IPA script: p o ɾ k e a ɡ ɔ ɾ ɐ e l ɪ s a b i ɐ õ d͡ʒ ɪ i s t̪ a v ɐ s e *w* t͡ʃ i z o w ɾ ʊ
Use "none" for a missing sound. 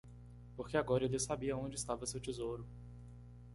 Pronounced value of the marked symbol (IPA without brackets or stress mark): w